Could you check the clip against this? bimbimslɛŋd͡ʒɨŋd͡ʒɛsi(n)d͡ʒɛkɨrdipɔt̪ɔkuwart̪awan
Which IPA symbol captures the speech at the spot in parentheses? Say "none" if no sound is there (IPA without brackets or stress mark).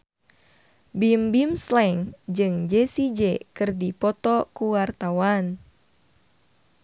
none